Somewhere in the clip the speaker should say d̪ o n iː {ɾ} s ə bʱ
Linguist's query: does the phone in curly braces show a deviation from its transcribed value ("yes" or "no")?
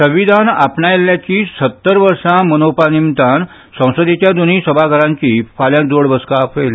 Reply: yes